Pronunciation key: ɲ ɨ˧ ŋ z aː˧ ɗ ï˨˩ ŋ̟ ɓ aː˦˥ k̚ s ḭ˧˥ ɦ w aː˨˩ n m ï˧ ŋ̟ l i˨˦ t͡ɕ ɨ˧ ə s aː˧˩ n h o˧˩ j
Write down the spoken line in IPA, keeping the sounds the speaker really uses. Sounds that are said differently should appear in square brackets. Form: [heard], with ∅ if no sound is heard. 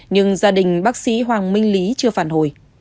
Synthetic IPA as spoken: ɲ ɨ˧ ŋ z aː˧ ɗ ï˨˩ ŋ̟ ɓ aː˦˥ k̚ s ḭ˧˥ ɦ w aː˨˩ [ŋ] m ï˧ ŋ̟ l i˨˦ t͡ɕ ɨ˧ ə [f] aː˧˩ n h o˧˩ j